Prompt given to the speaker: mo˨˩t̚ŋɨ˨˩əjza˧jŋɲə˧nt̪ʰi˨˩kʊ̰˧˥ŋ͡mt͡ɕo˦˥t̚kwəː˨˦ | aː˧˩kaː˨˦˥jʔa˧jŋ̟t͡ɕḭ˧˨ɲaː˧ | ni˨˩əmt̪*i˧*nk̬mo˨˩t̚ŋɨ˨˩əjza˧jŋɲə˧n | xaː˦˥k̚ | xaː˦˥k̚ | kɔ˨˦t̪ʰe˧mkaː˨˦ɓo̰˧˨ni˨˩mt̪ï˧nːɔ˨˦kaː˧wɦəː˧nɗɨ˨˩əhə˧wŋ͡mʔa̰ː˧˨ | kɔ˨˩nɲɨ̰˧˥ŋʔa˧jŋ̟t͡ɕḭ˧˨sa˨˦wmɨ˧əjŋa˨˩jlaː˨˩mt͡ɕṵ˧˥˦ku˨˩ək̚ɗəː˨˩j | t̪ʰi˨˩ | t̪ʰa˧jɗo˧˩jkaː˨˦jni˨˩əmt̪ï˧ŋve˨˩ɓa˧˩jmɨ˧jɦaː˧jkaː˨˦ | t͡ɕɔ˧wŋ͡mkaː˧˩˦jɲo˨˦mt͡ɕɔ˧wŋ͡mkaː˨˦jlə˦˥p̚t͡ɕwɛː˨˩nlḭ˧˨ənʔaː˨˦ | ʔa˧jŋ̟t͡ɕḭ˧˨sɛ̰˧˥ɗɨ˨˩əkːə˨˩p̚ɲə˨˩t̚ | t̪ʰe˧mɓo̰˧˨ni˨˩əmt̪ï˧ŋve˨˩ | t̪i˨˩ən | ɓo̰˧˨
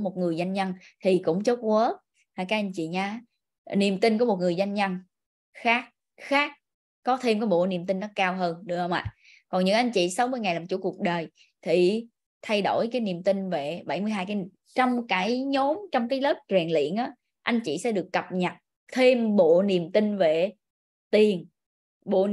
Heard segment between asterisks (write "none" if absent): i˧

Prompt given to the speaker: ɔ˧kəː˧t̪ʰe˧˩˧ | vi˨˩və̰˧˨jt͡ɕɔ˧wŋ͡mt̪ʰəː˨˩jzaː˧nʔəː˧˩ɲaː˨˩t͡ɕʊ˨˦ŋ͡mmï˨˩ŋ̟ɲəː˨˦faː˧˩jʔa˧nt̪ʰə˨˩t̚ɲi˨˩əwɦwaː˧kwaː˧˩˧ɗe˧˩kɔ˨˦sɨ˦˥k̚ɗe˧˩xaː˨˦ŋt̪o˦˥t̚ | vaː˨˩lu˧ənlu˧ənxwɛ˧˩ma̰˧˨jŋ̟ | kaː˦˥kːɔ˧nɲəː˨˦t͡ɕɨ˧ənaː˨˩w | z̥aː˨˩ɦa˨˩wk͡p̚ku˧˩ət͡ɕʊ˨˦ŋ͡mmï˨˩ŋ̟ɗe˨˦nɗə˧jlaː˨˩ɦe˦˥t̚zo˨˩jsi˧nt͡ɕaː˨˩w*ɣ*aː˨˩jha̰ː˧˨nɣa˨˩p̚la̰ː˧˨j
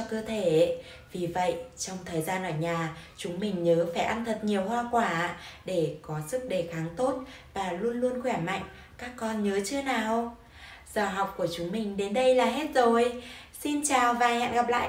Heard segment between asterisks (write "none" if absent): v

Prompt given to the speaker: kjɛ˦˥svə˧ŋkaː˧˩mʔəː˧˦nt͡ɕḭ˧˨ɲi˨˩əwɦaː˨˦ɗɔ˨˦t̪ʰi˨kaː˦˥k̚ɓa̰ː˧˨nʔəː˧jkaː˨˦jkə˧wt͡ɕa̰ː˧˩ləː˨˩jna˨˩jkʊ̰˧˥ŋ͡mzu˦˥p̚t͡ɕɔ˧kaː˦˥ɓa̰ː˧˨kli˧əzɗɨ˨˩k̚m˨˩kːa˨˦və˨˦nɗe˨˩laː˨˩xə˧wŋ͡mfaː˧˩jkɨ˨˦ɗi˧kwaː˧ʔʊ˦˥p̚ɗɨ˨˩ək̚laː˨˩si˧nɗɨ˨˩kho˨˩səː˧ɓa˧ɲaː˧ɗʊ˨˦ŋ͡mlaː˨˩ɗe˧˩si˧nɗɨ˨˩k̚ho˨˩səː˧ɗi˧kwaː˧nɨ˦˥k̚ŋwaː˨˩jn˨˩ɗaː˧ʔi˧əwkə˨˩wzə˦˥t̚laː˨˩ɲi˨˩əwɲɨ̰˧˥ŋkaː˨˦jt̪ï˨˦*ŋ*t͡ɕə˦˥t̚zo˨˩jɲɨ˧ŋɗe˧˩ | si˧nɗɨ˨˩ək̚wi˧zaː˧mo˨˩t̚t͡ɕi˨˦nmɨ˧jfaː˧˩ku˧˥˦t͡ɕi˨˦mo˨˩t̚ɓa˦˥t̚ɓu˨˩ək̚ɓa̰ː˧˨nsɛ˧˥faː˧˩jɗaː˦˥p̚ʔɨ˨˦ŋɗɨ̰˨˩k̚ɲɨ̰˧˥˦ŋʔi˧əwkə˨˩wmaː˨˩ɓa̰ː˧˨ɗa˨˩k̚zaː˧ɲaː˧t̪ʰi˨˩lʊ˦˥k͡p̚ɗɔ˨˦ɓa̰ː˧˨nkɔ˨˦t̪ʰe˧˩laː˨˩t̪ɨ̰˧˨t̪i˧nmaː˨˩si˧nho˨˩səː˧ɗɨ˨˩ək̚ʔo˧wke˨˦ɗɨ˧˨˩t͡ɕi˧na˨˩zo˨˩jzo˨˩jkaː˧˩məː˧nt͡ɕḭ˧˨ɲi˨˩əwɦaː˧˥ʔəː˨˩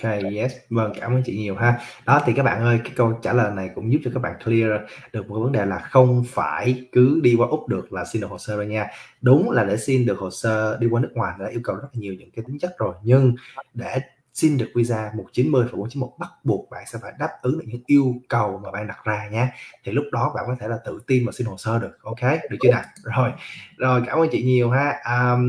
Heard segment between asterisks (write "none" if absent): ŋ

